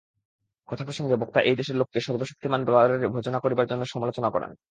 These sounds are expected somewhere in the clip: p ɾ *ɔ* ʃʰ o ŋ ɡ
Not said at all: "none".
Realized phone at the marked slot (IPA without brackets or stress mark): o